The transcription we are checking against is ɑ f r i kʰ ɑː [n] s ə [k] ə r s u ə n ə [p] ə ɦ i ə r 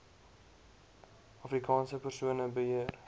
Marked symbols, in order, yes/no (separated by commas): yes, no, no